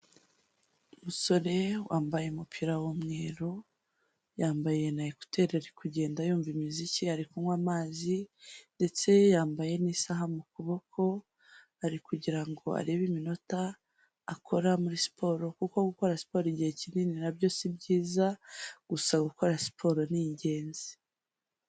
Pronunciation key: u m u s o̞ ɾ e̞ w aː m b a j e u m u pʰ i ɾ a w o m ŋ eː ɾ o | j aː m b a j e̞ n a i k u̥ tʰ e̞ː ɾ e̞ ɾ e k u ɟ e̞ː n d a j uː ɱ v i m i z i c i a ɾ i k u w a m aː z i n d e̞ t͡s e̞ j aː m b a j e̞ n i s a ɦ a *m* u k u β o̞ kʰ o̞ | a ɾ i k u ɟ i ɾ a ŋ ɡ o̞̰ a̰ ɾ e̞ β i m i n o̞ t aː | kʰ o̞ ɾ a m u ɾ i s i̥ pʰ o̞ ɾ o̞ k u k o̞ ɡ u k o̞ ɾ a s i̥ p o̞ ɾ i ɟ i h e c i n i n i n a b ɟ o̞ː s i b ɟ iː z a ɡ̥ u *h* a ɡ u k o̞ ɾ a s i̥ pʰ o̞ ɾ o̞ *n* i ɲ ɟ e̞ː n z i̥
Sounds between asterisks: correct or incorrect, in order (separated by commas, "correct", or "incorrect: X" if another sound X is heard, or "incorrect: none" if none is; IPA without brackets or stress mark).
correct, incorrect: s, correct